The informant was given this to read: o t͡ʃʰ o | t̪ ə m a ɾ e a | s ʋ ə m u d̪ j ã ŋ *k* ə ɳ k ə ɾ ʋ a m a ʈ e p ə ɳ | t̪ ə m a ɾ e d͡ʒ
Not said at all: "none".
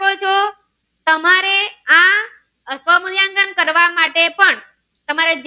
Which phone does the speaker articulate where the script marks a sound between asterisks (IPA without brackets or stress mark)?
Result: ɡ